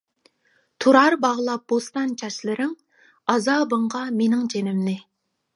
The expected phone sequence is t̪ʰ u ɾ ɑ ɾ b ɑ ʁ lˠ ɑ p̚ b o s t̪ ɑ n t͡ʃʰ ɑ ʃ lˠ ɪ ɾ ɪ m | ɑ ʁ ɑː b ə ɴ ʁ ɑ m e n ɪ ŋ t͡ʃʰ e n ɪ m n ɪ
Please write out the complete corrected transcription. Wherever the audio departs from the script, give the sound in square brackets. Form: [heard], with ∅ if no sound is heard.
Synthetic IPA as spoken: t̪ʰ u ɾ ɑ ɾ b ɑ ʁ lˠ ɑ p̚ b o s t̪ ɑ n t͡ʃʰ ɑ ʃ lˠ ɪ ɾ ɪ [ŋ] | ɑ [z] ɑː b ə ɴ ʁ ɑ m e n ɪ ŋ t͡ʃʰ e n ɪ m n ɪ